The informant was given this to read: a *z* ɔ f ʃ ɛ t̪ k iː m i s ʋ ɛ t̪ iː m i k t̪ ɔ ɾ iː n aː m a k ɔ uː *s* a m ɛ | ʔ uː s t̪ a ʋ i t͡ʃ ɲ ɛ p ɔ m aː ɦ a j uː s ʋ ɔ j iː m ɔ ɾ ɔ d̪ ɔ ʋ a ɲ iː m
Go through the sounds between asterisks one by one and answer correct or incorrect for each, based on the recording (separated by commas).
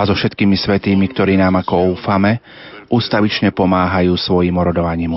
correct, incorrect